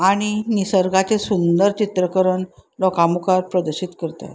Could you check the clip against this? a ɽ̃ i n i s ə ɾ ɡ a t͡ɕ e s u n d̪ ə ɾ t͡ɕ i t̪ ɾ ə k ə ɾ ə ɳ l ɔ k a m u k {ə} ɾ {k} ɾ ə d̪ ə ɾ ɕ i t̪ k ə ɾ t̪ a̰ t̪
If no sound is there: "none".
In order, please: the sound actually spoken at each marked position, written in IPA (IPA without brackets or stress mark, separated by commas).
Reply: a, p